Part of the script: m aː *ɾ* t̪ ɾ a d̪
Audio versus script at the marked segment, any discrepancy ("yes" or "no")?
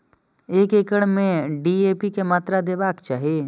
yes